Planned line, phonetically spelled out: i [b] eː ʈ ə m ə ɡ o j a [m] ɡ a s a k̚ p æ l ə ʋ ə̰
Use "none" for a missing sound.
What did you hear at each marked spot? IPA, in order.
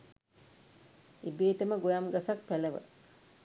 b, m

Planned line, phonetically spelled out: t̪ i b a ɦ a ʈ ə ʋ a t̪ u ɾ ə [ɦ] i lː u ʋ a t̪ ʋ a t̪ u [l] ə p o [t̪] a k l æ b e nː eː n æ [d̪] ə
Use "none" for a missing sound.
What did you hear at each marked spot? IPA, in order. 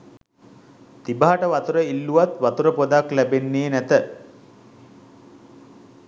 none, ɾ, d̪, t̪

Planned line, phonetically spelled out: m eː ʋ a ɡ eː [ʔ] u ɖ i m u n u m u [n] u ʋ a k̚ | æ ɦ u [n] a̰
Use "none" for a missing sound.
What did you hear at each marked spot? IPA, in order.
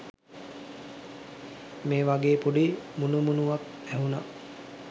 p, n, n

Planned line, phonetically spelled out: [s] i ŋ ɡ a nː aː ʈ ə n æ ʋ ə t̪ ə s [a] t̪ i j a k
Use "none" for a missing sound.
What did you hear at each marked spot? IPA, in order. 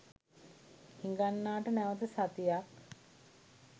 h, a

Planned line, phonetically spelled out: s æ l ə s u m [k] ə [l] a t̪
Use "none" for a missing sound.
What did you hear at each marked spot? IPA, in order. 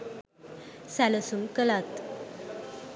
k, l

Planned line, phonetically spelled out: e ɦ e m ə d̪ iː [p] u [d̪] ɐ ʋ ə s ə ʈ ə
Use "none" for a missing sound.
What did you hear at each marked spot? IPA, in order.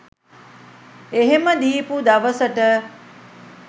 p, d̪

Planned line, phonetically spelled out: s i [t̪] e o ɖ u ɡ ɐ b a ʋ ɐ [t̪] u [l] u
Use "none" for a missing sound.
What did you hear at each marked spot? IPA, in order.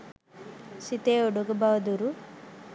t̪, d̪, ɾ

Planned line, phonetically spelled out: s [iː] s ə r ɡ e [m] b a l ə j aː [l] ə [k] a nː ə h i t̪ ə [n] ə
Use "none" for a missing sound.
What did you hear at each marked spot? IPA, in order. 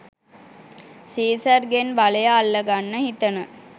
iː, n, lː, ɡ, n

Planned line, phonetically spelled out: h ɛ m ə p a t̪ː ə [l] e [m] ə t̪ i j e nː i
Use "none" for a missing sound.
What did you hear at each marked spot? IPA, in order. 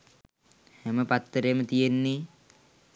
ɾ, m

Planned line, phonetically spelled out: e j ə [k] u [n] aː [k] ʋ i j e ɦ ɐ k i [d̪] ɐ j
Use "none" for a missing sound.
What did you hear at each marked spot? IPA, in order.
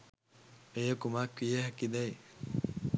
k, m, k, d̪

